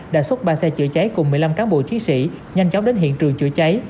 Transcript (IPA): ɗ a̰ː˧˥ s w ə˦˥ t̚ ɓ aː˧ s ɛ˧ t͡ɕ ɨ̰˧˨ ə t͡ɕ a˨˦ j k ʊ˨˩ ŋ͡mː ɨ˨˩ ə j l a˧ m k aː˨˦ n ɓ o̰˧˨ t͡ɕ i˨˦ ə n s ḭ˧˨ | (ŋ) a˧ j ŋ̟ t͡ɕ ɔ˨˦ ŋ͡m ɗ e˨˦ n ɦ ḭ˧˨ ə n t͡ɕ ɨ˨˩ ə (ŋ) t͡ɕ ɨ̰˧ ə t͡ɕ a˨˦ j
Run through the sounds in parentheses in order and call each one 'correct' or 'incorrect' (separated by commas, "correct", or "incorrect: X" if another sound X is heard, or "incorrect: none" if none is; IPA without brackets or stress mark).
incorrect: ɲ, correct